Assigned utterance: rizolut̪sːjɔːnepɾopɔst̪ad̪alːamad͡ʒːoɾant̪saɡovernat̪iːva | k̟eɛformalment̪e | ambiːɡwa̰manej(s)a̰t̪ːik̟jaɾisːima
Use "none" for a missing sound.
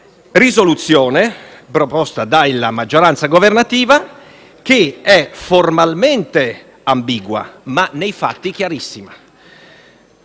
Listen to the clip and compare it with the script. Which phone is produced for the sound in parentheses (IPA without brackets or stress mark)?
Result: f